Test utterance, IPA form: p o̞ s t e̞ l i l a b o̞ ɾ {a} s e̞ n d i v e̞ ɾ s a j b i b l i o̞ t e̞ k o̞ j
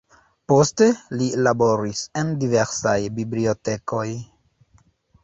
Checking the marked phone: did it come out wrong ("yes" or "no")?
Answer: yes